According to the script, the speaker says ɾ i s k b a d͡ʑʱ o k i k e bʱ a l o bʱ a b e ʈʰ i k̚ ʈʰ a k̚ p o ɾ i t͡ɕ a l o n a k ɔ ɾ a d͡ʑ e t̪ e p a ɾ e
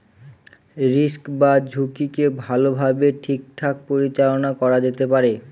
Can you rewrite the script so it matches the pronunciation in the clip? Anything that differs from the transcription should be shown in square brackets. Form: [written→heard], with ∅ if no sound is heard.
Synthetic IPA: ɾ i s k b a d͡ʑʱ [o→u] k i k e bʱ a l o bʱ a b e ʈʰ i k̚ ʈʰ a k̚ p o ɾ i t͡ɕ a l o n a k ɔ ɾ a d͡ʑ e t̪ e p a ɾ e